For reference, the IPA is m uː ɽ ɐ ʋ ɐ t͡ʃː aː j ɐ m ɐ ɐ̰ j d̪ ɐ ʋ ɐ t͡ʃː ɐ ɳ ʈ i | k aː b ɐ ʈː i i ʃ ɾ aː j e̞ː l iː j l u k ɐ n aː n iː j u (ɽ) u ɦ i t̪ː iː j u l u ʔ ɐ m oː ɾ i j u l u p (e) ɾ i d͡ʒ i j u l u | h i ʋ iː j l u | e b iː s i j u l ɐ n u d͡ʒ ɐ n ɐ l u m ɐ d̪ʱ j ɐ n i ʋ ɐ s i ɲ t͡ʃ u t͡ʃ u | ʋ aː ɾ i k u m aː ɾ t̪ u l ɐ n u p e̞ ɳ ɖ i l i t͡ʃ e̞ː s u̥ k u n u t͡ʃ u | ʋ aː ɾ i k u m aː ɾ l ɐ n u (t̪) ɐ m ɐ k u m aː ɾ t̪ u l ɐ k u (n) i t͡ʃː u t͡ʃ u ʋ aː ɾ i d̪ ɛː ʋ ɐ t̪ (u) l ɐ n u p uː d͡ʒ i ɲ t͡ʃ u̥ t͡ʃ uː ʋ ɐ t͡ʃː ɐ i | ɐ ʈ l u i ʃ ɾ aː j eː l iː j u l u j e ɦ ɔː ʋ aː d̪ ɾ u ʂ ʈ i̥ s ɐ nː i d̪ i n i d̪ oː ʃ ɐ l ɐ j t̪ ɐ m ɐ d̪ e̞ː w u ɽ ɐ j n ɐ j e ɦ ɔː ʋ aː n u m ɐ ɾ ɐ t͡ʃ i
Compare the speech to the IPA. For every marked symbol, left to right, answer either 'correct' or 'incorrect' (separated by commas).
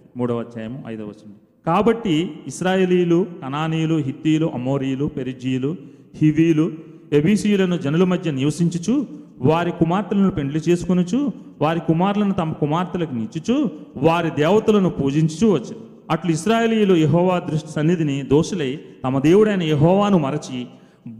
incorrect, correct, correct, correct, correct